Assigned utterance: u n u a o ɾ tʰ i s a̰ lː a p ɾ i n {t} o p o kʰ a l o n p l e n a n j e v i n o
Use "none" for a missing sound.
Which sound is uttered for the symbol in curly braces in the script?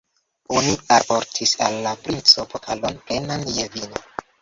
t͡s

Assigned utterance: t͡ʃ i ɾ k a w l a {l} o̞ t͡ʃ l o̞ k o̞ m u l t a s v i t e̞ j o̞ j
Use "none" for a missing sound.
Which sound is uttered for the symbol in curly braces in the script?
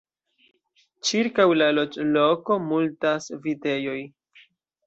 l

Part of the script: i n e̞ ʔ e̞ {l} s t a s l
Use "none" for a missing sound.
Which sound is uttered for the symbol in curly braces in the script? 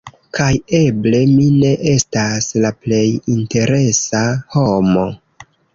none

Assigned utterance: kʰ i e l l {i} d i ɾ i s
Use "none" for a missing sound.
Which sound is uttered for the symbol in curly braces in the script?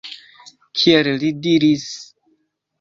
i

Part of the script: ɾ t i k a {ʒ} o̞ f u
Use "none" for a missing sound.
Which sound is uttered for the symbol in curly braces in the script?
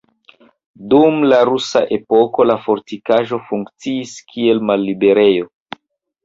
ʒ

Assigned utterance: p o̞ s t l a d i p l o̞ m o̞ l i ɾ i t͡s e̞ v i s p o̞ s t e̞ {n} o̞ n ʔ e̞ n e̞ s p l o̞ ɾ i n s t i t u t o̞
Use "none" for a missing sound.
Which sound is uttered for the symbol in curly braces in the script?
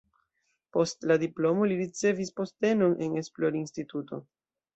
n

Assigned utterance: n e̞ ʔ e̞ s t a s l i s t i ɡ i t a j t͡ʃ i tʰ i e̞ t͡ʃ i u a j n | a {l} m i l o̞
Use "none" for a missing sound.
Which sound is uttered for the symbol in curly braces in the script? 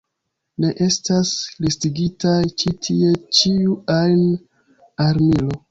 ɾ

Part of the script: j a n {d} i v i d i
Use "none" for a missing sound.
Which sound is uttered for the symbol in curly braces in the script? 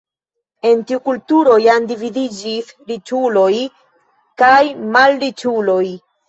d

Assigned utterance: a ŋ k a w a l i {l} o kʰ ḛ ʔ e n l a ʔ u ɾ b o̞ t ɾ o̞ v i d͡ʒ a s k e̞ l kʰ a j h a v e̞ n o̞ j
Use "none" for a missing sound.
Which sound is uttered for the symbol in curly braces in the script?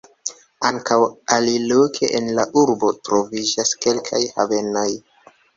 l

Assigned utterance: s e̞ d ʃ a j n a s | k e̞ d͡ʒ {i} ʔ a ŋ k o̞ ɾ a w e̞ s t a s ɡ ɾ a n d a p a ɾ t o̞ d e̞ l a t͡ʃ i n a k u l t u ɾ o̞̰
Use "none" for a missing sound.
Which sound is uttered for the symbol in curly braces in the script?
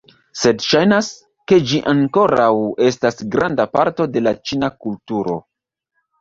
i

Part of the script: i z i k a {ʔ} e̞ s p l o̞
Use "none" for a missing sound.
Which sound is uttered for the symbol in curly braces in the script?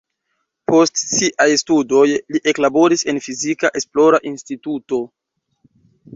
ʔ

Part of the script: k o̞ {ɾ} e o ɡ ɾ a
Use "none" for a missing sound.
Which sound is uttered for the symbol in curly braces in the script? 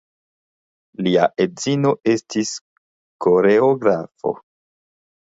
ɾ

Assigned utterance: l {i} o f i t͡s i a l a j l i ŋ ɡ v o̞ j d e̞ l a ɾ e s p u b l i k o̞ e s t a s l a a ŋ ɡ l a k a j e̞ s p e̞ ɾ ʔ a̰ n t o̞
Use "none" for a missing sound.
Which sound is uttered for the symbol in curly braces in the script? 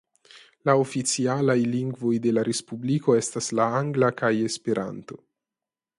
a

